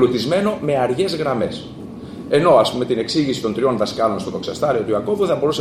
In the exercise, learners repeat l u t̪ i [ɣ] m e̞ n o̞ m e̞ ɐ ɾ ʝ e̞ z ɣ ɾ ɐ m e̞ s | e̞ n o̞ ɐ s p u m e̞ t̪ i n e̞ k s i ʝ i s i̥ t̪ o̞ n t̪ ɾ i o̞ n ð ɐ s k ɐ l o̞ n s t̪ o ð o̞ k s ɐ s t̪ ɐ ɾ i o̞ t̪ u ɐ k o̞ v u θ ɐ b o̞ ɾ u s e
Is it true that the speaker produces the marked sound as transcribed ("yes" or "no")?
no